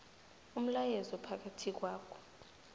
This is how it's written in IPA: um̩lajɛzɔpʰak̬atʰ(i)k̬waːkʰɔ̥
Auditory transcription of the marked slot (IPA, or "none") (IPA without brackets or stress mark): i